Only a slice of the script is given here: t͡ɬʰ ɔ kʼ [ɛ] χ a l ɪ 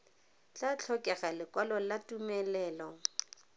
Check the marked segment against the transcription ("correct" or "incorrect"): correct